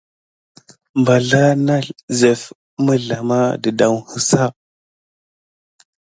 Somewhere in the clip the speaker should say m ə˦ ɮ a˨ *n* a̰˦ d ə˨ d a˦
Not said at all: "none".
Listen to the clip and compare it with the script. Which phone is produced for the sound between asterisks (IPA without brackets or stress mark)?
m